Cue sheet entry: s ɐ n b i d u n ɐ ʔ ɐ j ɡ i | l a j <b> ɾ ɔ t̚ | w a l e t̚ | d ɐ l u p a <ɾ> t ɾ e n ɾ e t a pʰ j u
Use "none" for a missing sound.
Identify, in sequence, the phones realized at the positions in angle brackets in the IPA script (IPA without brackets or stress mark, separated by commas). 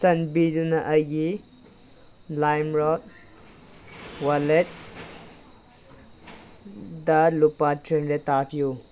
m, none